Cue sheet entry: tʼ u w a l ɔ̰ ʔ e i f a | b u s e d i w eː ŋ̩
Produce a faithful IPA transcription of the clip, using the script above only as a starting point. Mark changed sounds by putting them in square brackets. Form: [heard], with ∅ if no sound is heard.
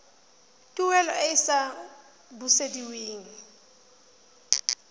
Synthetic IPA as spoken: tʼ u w [ɛ] l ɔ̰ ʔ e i [s] a | b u s e d i w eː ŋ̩

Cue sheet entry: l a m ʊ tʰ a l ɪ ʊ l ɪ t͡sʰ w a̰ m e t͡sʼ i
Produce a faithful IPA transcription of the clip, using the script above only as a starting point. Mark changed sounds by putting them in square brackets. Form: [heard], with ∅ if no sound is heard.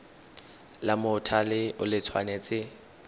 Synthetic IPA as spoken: l a m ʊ tʰ a l ɪ ʊ l ɪ t͡sʰ w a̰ [n] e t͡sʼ [ɪ]

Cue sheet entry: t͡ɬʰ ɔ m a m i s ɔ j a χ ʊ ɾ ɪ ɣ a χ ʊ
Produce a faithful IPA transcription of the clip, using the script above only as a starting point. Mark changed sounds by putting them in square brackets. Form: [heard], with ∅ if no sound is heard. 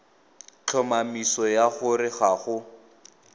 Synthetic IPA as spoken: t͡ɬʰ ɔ m a m i s ɔ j a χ ʊ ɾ ɪ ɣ a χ ʊ

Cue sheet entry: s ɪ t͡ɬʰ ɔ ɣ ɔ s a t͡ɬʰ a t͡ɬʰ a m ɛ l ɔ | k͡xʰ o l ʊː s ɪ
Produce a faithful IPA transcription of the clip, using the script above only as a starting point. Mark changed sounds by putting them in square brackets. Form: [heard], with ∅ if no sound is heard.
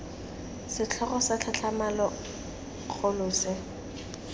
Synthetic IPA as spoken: s ɪ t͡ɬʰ ɔ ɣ ɔ s a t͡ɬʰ a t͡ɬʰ a m [a] l ɔ | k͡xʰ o l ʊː s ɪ

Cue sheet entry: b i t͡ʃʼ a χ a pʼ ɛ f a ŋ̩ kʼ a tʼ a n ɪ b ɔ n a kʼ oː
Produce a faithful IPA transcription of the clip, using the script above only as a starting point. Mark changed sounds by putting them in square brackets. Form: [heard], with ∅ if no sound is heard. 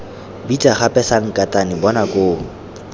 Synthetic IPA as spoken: b i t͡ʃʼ a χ a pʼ ɛ [s] a ŋ̩ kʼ a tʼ a n ɪ b ɔ n a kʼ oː

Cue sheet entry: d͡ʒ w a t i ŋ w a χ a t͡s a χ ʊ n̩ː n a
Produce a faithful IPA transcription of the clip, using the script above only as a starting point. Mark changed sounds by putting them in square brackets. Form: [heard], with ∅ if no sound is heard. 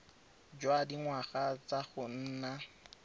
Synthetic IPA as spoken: d͡ʒ w a [d] i ŋ w a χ a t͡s a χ ʊ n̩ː n a

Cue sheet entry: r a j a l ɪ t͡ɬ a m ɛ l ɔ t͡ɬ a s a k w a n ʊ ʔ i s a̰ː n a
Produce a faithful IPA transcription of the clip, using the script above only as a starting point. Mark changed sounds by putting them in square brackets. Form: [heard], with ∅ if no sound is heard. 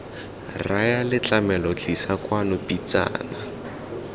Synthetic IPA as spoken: r a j a l ɪ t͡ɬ a m ɛ l ɔ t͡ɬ [i] s a k w a n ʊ [p] i [t͡s] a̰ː n a

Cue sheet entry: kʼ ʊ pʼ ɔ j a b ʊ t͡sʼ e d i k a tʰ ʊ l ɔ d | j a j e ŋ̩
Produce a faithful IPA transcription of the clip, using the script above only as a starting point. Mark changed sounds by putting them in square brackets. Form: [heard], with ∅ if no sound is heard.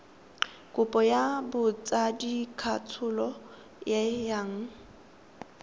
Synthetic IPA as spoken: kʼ ʊ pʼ ɔ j a b ʊ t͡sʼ [a] d i [kʰ] a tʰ ʊ l ɔ [∅] | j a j [a] ŋ̩

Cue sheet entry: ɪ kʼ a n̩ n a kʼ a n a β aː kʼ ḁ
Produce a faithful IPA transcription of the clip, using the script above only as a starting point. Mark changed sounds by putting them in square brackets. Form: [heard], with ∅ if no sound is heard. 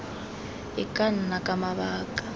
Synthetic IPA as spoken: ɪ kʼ a n̩ n a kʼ a [m] a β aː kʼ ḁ

